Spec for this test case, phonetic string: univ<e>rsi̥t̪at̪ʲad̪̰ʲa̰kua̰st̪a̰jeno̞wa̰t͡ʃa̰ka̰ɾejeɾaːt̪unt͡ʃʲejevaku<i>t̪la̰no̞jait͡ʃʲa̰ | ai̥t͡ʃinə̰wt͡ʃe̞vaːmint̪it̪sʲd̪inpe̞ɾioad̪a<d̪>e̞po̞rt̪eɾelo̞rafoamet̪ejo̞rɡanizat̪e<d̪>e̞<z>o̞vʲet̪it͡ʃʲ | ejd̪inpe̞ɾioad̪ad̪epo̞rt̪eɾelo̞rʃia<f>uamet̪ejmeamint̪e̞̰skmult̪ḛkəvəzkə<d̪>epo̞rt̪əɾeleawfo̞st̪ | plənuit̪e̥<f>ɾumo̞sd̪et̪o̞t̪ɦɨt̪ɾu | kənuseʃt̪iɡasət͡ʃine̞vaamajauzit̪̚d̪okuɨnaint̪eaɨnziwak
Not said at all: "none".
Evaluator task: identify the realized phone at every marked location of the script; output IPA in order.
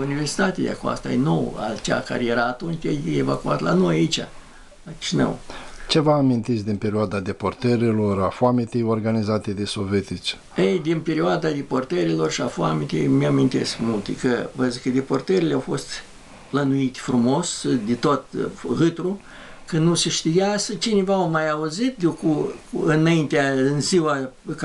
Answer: e, a, d̪, d̪, s, f, d̪, f

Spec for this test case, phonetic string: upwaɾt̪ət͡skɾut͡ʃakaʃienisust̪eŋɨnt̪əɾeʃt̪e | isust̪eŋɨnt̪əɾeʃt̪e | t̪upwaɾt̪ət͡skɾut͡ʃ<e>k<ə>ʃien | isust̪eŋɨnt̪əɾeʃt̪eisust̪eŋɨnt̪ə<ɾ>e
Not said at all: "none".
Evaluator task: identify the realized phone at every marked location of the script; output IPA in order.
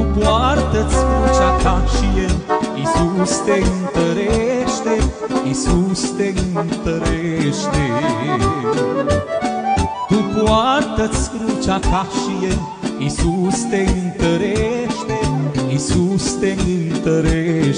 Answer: a, a, ɾ

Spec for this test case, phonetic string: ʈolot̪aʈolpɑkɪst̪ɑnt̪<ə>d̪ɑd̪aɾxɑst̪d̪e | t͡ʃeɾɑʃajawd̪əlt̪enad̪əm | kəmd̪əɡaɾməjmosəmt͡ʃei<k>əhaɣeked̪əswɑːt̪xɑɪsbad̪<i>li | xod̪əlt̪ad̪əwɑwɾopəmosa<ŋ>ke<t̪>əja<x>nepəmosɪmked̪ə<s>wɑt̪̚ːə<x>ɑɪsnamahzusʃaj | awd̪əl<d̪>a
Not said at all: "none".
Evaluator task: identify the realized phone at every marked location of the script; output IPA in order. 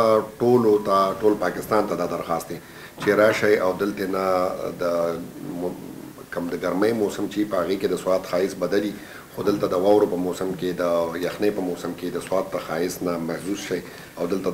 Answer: a, p, a, m, d̪, x, s, x, t̪

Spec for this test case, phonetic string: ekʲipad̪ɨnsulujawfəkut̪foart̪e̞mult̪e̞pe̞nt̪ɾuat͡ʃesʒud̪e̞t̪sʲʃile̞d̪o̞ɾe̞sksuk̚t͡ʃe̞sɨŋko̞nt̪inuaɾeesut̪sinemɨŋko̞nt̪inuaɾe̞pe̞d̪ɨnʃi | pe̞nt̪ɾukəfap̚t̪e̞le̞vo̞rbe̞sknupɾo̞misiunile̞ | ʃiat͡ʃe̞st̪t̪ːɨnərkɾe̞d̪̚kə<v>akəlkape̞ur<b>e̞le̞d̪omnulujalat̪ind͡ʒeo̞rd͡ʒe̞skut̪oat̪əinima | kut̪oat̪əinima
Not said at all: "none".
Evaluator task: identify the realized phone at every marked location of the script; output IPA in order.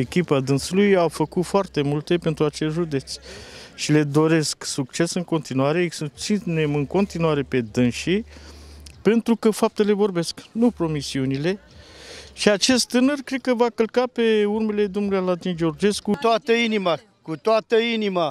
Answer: v, m

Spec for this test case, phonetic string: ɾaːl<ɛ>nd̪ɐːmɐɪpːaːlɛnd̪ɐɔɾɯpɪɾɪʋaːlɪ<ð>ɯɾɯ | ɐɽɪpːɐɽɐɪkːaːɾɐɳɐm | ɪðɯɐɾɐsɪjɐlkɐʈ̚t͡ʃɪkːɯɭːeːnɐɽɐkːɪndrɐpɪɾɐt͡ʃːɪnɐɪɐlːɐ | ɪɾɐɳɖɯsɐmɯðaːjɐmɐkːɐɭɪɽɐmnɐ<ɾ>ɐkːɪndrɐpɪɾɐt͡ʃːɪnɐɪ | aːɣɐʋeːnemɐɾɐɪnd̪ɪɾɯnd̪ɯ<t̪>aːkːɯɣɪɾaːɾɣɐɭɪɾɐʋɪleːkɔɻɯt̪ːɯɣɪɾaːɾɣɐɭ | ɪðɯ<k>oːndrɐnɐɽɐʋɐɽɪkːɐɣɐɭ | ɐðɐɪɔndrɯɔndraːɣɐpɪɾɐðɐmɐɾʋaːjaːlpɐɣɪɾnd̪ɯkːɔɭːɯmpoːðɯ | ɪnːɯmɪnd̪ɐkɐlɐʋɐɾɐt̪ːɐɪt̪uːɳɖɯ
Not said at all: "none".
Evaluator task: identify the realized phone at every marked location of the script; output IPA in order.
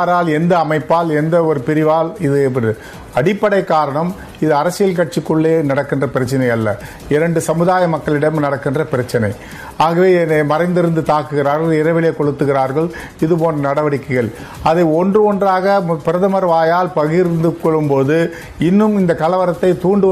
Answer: ɛ, ð, ɽ, t̪, p

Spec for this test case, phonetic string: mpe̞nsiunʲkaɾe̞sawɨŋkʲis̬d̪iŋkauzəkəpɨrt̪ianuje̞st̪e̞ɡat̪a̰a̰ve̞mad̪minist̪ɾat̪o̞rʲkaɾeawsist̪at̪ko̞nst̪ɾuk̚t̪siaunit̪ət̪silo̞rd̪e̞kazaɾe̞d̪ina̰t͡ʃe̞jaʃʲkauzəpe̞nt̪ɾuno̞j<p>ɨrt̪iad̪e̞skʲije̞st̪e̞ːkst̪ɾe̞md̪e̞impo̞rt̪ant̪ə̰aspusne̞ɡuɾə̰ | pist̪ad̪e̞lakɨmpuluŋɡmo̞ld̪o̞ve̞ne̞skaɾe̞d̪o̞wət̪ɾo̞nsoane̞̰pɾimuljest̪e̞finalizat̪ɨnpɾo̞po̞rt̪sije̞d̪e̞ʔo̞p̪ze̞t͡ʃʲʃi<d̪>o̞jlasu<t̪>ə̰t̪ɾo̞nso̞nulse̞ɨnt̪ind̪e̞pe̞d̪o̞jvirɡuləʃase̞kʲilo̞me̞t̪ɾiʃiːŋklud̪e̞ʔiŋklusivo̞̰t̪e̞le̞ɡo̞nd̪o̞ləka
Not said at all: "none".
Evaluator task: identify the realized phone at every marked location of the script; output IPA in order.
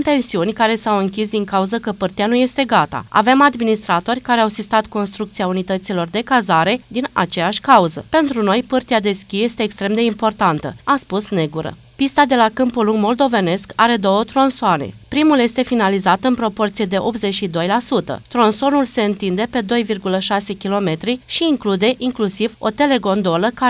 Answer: p, d̪, t̪

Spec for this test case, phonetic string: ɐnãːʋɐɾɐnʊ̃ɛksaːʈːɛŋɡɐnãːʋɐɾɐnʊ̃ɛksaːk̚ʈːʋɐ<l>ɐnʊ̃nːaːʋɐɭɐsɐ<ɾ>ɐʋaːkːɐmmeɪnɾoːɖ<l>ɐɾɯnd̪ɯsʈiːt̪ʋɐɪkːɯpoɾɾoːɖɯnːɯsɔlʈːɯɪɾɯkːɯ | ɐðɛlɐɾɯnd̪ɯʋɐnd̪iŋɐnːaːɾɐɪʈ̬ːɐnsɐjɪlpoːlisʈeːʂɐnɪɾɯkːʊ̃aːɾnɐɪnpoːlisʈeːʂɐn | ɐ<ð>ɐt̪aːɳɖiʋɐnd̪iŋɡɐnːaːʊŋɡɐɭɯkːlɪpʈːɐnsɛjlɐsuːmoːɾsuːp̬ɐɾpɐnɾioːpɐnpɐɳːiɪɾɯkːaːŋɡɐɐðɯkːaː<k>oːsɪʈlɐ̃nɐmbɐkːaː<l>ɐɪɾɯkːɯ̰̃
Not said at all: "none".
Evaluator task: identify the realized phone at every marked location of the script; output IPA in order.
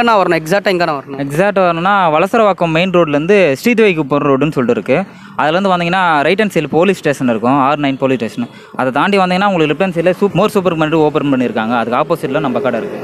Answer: ɾ, ɾ, l, ð, p, ɽ

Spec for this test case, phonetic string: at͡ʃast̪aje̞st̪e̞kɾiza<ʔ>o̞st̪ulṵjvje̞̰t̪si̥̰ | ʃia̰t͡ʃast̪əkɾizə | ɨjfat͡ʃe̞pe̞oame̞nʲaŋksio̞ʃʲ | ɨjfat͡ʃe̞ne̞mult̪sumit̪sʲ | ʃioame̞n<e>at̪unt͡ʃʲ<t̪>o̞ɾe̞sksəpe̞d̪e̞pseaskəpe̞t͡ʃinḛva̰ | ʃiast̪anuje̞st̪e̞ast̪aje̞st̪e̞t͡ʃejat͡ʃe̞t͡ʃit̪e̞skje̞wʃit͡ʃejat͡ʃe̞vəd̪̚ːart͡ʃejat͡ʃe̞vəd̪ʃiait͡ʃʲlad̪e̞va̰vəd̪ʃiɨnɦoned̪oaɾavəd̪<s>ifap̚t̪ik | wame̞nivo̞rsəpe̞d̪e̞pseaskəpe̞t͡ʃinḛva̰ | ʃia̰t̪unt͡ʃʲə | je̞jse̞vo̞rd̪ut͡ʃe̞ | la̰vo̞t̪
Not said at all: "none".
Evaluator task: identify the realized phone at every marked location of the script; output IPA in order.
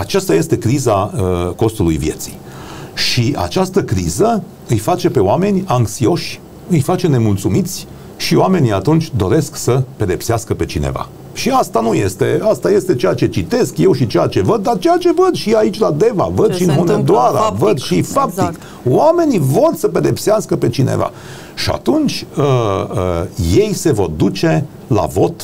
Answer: k, i, d̪, ʃ

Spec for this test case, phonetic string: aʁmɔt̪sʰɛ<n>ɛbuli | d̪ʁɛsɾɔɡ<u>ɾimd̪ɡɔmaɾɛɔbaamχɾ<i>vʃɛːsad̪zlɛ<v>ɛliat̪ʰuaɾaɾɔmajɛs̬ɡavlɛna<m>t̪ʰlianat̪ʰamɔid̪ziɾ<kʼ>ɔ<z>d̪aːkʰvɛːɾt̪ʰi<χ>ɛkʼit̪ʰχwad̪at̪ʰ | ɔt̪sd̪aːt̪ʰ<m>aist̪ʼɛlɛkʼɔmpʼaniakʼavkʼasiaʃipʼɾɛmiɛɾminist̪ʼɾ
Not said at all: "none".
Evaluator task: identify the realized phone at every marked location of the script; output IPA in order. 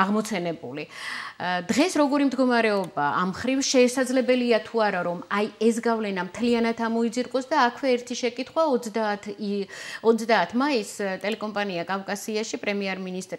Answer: n, ɔ, i, b, m, kʼ, s, ʃ, m

